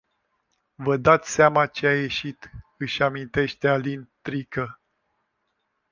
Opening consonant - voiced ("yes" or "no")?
yes